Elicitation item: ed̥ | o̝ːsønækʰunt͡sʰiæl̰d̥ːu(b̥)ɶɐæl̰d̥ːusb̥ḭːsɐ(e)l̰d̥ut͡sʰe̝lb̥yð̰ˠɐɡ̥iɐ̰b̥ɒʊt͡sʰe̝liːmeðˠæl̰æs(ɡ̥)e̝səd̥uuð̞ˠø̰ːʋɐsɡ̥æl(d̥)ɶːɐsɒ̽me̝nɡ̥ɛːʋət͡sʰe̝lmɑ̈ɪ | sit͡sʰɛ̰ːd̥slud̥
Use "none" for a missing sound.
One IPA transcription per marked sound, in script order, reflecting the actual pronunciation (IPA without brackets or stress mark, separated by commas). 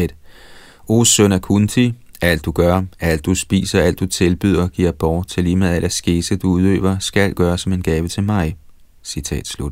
ɡ̥, æ, ɡ̥, ɡ̥